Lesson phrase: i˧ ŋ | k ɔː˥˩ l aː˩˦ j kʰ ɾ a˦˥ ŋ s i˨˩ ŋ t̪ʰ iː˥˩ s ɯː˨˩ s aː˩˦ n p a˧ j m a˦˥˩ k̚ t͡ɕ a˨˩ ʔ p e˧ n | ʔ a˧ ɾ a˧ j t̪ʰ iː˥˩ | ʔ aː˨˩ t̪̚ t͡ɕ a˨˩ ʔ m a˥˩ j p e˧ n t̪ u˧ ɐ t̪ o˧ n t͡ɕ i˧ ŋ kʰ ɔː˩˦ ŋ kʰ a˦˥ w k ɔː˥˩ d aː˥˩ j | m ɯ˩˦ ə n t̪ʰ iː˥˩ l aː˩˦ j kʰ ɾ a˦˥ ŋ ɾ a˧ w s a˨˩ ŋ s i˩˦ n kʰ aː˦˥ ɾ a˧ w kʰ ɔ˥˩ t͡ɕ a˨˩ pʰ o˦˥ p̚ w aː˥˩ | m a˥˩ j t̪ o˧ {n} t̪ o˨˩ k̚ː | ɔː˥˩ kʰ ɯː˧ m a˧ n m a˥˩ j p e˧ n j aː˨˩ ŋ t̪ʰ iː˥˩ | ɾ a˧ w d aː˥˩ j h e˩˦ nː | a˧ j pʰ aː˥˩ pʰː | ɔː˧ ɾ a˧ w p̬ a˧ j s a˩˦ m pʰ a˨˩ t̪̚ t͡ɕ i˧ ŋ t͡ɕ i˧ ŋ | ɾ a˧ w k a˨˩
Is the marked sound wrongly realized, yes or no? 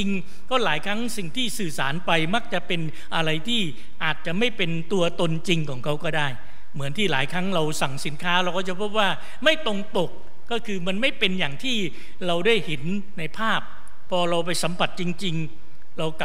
yes